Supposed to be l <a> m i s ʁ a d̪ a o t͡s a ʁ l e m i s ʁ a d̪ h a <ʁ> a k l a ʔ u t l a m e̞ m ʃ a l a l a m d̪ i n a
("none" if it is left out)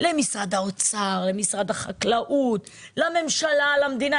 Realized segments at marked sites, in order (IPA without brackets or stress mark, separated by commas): e, χ